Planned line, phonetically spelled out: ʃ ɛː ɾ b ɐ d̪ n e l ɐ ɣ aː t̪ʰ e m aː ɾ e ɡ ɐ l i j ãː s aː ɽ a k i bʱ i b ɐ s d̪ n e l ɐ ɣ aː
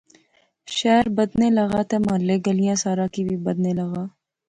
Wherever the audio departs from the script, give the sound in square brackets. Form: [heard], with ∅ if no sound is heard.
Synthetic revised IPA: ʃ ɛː ɾ b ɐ d̪ n e l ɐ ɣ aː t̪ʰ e m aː [l] e ɡ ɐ l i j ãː s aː [ɾ] a k i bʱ i b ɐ [∅] d̪ n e l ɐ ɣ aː